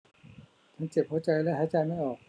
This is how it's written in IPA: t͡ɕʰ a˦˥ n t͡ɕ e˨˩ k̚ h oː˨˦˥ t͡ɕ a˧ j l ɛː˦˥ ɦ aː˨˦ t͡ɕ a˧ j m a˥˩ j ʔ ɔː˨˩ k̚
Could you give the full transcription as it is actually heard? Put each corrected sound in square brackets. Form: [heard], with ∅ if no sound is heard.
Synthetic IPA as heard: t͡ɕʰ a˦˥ n t͡ɕ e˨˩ [p̚] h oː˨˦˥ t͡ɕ a˧ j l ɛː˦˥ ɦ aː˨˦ t͡ɕ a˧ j m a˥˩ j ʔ ɔː˨˩ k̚